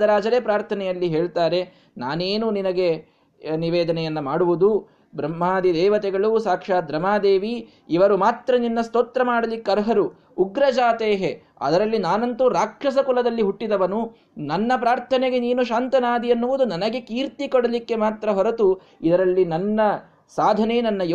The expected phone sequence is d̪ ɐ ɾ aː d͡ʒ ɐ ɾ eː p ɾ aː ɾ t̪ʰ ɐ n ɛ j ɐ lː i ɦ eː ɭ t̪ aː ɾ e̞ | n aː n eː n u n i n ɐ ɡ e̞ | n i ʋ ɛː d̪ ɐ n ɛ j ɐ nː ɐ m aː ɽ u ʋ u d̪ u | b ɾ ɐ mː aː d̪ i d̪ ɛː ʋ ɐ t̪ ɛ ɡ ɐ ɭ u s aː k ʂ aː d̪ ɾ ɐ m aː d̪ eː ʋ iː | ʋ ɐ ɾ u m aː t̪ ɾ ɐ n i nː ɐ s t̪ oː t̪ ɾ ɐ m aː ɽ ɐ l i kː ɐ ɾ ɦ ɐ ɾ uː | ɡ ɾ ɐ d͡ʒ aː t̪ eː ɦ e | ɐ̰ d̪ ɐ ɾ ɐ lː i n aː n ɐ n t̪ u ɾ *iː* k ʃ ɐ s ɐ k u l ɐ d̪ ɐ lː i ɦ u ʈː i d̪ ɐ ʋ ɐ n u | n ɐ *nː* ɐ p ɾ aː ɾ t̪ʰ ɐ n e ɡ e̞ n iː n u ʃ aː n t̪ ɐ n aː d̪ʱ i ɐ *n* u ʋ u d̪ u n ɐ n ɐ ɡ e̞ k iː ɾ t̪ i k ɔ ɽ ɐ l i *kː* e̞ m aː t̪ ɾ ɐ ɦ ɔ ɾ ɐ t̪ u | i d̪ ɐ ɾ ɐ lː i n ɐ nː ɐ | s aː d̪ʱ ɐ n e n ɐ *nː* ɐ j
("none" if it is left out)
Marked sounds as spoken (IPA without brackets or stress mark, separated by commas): aː, nː, nː, kː, nː